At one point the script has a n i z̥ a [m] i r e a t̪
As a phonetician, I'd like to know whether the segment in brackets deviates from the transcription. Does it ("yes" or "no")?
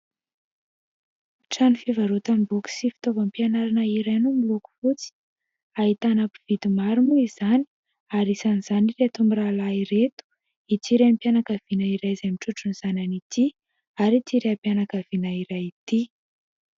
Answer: yes